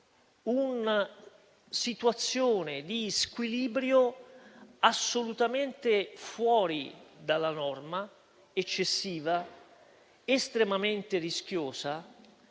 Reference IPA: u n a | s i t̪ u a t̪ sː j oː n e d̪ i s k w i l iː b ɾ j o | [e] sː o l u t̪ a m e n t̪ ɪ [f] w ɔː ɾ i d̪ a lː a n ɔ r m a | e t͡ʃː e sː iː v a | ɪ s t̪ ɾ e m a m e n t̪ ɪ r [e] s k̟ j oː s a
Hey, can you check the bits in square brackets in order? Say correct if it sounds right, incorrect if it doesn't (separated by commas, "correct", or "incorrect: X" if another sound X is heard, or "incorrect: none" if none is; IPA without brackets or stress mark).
incorrect: a, correct, incorrect: i